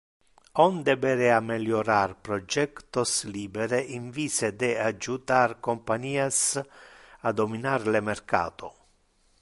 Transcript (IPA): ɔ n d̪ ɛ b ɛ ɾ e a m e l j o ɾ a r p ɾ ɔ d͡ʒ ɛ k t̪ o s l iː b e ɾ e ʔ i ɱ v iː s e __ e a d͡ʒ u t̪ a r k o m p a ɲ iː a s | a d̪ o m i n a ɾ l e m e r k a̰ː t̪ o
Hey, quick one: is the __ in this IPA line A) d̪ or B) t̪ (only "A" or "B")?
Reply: A